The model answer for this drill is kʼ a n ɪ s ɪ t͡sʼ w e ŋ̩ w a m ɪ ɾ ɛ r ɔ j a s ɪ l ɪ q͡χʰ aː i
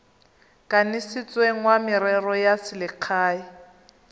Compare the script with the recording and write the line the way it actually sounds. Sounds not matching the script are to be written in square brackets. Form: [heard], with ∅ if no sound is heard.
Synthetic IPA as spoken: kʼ a n ɪ s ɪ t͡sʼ w e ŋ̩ w a m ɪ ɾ ɛ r ɔ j a s ɪ l ɪ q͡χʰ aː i